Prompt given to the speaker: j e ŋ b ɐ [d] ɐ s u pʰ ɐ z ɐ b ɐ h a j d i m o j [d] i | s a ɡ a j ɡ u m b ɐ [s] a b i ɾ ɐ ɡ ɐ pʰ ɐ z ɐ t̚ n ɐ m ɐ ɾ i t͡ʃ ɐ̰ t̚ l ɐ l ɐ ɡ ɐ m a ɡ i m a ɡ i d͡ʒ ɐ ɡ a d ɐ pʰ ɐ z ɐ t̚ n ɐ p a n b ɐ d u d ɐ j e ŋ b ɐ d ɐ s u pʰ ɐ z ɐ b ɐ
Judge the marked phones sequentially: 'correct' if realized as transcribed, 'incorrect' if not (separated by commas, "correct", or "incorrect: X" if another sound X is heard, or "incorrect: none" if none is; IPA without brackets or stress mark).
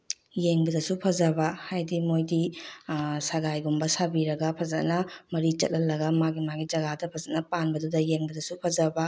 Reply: correct, correct, correct